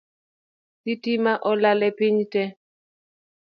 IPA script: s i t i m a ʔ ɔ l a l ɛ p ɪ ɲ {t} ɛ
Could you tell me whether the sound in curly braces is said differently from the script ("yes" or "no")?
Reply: no